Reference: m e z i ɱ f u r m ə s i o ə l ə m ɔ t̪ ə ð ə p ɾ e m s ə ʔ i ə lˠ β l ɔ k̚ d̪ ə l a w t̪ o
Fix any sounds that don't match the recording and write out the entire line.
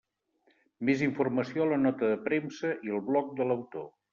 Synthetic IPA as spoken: m e z i ɱ f u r m ə s i o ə l ə n ɔ t̪ ə ð ə p ɾ e m s ə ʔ i ə lˠ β l ɔ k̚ d̪ ə l ə w t̪ o